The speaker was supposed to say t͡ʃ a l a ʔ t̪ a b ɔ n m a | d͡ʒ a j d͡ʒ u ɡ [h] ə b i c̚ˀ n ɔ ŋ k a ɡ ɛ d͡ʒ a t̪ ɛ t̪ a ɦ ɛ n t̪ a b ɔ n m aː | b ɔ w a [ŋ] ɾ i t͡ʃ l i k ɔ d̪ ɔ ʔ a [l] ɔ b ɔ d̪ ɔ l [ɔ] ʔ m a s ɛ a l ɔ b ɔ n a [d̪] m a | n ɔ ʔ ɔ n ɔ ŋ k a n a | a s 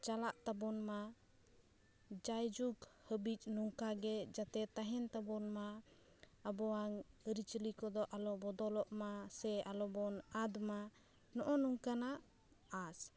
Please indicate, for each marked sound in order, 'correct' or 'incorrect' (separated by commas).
correct, correct, correct, correct, correct